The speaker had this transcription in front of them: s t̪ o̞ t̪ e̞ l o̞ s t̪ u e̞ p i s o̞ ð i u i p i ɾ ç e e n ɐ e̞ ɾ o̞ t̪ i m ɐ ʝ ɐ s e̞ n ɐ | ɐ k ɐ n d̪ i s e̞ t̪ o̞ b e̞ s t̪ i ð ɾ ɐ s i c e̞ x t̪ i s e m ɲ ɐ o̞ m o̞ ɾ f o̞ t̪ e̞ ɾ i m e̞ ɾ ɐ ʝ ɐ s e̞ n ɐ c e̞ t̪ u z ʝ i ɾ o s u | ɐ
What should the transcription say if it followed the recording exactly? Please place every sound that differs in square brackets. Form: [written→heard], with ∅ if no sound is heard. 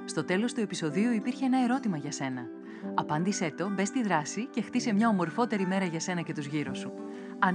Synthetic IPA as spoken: s t̪ o̞ t̪ e̞ l o̞ s t̪ u e̞ p i s o̞ ð i u i p i ɾ ç e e n ɐ e̞ ɾ o̞ t̪ i m ɐ ʝ ɐ s e̞ n ɐ | ɐ [k→p] ɐ n d̪ i s e̞ t̪ o̞ b e̞ s t̪ i ð ɾ ɐ s i c e̞ x t̪ i s e m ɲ ɐ o̞ m o̞ ɾ f o̞ t̪ e̞ ɾ i m e̞ ɾ ɐ ʝ ɐ s e̞ n ɐ c e̞ t̪ u z ʝ i ɾ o s u | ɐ